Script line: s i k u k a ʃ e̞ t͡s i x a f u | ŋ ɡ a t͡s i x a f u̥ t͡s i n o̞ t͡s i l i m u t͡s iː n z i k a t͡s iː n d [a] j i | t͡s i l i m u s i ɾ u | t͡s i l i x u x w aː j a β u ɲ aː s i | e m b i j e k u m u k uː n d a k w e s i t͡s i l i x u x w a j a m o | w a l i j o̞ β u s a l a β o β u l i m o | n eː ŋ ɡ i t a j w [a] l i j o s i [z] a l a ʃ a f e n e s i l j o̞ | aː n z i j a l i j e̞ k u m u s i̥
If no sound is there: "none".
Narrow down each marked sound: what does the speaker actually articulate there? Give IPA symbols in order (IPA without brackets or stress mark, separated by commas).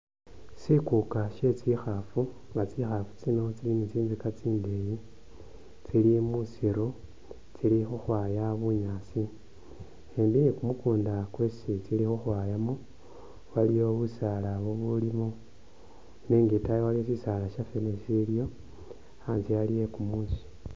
e, a, s